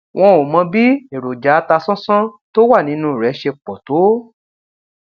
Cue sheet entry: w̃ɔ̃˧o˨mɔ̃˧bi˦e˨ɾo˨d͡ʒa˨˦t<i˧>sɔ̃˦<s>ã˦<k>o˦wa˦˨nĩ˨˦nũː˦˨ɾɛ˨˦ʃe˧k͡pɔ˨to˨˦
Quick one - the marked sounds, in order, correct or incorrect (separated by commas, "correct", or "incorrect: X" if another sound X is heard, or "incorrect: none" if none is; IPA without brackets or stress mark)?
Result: incorrect: a˧, correct, incorrect: t